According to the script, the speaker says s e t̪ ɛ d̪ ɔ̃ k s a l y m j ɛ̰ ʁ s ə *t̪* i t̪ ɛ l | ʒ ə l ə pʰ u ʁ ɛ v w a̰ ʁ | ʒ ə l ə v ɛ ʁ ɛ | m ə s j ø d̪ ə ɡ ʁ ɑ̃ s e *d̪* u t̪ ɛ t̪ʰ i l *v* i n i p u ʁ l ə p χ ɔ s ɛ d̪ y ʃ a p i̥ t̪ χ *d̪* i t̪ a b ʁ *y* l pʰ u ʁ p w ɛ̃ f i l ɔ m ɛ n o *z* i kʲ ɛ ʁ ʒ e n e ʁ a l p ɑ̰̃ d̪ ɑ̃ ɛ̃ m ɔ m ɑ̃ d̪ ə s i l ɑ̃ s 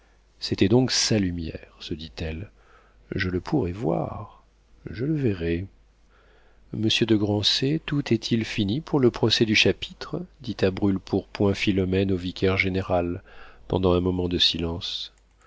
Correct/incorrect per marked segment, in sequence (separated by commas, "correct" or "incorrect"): incorrect, incorrect, incorrect, correct, correct, incorrect